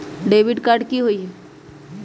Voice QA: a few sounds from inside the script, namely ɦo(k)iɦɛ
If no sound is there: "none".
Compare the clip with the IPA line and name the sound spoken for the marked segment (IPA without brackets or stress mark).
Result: none